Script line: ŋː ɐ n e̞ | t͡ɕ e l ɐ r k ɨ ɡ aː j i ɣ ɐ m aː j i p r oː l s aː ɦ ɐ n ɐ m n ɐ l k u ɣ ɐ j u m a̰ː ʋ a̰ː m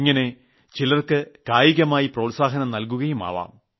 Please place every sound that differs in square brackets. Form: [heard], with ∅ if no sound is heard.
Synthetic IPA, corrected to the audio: ŋː ɐ n e̞ | t͡ɕ [i] l ɐ r k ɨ [k] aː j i ɣ ɐ m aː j i p r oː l s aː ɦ ɐ n ɐ m n ɐ l k u ɣ ɐ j u m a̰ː ʋ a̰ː m